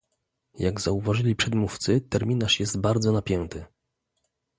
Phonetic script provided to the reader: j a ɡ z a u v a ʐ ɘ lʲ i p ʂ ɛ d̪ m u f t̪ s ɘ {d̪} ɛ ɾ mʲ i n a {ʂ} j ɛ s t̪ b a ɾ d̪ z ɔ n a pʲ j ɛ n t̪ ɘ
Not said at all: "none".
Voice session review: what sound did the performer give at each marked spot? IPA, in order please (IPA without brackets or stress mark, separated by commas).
t̪, ʂ